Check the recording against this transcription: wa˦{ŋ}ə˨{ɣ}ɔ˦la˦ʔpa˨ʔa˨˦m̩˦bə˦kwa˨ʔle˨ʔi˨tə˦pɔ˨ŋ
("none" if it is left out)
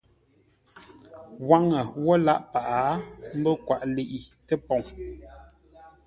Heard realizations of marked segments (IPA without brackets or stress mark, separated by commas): ŋ, w